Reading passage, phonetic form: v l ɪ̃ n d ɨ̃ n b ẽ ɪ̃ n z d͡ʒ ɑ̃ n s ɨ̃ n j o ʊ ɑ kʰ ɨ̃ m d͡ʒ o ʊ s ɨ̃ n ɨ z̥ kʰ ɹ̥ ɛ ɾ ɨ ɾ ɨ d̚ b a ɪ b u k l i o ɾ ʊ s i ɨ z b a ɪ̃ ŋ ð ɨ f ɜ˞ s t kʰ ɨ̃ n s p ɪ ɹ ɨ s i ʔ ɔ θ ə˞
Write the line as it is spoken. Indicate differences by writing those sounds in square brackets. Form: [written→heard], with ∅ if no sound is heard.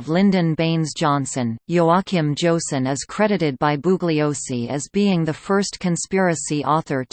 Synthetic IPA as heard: v l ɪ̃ n d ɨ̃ n b ẽ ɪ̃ n z d͡ʒ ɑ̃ n s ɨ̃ n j o ʊ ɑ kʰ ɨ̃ m d͡ʒ o ʊ s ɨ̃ n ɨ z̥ kʰ ɹ̥ ɛ ɾ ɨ ɾ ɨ d̚ b a ɪ b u [k→ɡ] l i o [ɾ→∅] ʊ s i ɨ z b [a→i] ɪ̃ ŋ ð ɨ f ɜ˞ s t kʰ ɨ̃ n s p ɪ ɹ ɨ s i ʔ ɔ θ ə˞